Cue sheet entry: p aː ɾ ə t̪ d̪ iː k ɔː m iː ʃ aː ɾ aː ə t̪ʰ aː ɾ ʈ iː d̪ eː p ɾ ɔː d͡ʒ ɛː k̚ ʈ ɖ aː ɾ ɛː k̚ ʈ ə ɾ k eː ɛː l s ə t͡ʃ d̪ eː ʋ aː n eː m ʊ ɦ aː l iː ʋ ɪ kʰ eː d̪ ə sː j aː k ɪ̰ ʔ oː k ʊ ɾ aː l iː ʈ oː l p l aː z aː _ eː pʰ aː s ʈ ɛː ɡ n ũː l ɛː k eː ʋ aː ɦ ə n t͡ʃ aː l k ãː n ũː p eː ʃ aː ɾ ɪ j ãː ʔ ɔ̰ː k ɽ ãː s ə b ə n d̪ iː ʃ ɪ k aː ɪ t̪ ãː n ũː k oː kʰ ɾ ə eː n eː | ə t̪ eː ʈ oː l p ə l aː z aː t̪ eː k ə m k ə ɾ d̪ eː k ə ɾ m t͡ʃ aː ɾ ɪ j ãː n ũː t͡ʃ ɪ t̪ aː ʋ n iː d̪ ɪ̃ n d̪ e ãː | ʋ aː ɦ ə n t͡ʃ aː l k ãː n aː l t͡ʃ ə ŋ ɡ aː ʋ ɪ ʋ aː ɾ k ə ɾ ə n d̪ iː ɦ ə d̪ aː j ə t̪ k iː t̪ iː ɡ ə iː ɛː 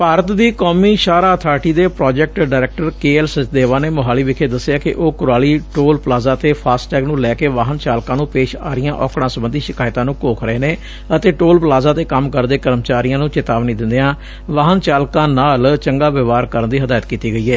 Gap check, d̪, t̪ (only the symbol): t̪